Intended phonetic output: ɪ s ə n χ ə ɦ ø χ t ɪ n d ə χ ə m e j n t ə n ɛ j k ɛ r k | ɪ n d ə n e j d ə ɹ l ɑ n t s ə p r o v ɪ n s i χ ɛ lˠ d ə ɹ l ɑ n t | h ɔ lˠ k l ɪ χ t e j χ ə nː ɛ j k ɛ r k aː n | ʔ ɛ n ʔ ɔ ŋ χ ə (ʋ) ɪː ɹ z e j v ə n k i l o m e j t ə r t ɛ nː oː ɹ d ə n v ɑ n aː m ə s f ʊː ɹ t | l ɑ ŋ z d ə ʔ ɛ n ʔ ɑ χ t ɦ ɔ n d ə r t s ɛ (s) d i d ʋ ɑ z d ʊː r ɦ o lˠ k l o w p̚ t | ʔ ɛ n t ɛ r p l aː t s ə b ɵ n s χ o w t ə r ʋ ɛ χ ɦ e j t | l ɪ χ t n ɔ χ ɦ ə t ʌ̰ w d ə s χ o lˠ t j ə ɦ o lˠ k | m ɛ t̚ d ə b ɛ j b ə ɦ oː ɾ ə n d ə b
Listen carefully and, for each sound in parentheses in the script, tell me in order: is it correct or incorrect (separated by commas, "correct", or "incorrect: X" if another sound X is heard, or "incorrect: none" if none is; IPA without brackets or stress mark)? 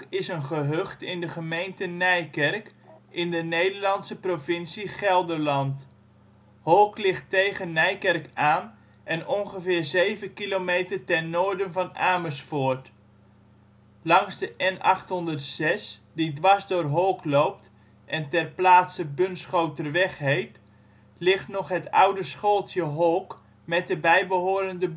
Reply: incorrect: v, correct